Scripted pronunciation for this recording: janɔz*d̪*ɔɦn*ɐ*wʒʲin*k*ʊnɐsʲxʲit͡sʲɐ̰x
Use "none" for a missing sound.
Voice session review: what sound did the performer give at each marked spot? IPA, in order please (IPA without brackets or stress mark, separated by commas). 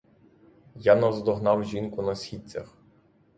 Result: d̪, ɑ, k